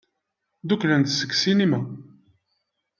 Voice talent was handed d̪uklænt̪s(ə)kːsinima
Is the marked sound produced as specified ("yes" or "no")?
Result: yes